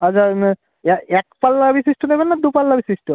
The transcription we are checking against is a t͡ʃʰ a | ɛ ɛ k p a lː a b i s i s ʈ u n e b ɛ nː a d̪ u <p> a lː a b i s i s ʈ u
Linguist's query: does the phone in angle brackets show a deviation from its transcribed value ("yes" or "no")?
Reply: no